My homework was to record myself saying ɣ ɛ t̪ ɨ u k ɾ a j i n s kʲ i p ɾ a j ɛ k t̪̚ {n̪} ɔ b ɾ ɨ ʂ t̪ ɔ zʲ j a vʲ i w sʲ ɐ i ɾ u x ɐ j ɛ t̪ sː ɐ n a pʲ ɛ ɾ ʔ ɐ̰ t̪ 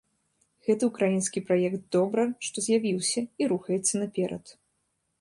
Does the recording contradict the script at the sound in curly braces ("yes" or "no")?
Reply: yes